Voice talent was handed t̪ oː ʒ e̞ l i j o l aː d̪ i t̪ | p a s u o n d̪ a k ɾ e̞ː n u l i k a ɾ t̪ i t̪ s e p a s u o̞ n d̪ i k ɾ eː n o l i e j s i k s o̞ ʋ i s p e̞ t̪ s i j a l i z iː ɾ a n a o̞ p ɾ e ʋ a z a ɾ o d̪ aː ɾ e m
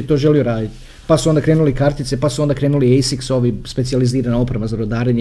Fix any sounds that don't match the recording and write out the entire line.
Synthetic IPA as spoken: t̪ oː ʒ e̞ l i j o ɾ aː d̪ i t̪ | p a s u o n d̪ a k ɾ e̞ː n u l i k a ɾ t̪ i t̪ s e p a s u o̞ n d̪ a k ɾ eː n u l i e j s i k s o̞ ʋ i s p e̞ t̪ s i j a l i z iː ɾ a n a o̞ p ɾ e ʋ a z a ɾ o d̪ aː ɾ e ɲ